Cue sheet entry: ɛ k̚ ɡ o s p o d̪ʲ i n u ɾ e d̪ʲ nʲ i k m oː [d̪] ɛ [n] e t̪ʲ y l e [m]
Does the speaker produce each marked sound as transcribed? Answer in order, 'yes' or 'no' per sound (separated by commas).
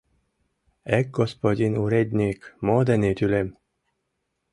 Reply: yes, yes, yes